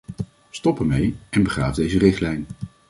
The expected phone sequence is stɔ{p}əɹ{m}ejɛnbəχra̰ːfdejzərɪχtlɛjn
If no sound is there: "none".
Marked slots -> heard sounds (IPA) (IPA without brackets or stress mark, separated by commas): p, m